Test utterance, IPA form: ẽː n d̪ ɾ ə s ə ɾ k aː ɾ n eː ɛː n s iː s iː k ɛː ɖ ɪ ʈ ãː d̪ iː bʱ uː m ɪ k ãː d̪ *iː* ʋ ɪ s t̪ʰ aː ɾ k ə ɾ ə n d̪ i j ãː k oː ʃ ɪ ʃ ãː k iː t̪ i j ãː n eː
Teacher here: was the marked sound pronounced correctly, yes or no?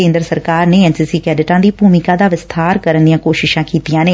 no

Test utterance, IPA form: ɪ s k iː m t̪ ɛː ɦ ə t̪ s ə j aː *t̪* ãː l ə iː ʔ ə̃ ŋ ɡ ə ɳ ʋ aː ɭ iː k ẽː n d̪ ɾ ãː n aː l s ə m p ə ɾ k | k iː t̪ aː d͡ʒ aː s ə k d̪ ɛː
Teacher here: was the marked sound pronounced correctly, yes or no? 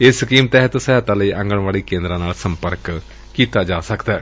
yes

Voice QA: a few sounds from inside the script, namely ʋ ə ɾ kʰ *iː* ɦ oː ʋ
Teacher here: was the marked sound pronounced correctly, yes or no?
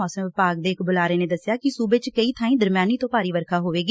no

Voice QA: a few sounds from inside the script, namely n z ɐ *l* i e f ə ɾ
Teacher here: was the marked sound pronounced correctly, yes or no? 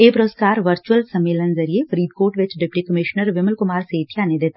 no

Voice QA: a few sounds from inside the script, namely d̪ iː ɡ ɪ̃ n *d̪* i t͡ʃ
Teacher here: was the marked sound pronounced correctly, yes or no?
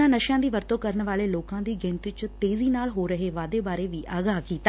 no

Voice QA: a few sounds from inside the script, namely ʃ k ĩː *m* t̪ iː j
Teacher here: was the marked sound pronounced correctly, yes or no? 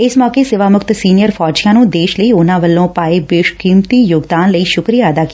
yes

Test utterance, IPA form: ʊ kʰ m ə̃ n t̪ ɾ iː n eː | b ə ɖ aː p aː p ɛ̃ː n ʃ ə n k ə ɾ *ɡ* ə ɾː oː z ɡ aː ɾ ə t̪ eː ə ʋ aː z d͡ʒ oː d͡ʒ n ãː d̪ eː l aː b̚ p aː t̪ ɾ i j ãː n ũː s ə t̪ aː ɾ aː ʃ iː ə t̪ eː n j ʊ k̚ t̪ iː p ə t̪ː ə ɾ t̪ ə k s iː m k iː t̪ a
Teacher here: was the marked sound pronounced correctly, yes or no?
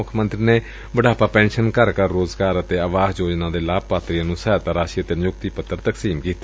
no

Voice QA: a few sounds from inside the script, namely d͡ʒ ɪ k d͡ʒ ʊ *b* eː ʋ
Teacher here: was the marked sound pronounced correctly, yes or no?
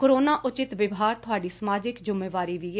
no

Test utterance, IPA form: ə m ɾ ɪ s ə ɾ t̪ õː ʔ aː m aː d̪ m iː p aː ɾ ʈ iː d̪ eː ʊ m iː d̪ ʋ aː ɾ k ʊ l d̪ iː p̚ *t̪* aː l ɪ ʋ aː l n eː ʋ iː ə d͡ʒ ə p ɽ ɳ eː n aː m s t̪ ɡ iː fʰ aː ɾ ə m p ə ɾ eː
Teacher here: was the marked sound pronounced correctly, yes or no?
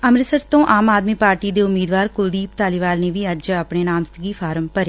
yes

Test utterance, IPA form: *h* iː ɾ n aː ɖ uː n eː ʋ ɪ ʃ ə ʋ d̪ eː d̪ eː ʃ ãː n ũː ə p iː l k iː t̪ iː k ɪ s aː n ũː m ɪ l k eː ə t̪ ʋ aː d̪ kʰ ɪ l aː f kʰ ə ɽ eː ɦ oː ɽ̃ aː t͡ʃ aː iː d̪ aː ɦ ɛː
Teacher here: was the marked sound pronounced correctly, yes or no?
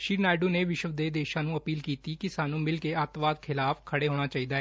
no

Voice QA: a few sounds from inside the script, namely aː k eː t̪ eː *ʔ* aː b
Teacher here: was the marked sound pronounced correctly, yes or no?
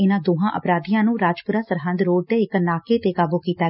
no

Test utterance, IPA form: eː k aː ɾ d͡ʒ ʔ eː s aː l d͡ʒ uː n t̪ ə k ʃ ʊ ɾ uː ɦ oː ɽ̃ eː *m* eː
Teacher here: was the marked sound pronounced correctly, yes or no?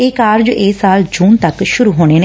no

